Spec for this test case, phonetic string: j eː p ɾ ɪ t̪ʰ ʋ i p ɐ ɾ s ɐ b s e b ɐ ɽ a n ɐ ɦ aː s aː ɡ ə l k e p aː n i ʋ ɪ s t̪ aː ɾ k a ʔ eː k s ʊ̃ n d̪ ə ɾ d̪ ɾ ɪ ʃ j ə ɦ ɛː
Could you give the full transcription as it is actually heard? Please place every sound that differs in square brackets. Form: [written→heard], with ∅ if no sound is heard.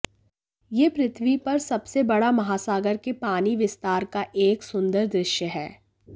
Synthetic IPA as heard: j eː p ɾ ɪ t̪ʰ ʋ i p ɐ ɾ s ɐ b s e b ɐ ɽ a [n→m] ɐ ɦ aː s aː ɡ ə [l→ɾ] k e p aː n i ʋ ɪ s t̪ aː ɾ k a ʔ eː k s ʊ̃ n d̪ ə ɾ d̪ ɾ ɪ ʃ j ə ɦ ɛː